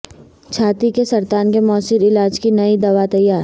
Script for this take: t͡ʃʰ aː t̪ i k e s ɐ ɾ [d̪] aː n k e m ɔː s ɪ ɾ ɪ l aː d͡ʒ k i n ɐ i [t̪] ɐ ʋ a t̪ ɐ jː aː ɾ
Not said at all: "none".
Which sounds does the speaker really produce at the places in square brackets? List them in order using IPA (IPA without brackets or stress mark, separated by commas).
t̪, d̪